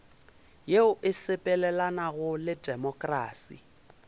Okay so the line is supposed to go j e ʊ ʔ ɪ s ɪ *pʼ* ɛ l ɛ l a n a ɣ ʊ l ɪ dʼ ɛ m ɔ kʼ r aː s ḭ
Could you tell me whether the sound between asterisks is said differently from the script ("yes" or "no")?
no